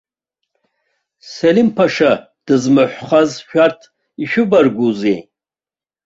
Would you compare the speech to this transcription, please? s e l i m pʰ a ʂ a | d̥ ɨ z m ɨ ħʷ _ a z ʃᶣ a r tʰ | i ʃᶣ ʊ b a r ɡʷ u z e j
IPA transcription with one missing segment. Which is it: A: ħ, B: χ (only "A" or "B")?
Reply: B